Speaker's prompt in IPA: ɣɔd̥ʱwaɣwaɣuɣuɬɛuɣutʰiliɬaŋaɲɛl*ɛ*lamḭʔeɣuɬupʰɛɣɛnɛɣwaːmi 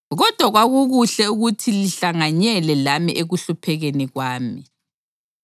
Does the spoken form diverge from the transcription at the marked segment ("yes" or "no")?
no